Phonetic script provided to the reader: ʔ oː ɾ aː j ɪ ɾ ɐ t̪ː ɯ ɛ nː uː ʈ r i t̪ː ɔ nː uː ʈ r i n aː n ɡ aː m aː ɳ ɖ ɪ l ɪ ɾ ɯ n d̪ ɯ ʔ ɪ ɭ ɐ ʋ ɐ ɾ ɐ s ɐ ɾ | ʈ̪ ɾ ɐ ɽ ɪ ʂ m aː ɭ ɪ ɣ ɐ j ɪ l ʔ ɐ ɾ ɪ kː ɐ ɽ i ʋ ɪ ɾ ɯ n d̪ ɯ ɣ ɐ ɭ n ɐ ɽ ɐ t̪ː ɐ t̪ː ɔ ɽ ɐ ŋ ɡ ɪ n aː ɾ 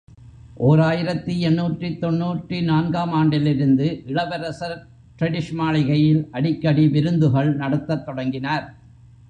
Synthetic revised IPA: ʔ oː ɾ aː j ɪ ɾ ɐ t̪ː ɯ ɛ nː uː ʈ r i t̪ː ɔ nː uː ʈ r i n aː n ɡ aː m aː ɳ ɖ ɪ l ɪ ɾ ɯ n d̪ ɯ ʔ ɪ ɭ ɐ ʋ ɐ ɾ ɐ s ɐ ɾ | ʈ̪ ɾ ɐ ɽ ɪ ʂ m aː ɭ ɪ ɣ ɐ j ɪ l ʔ ɐ ɽ ɪ kː ɐ ɽ i ʋ ɪ ɾ ɯ n d̪ ɯ ɣ ɐ ɭ n ɐ ɽ ɐ t̪ː ɐ t̪ː ɔ ɽ ɐ ŋ ɡ ɪ n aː ɾ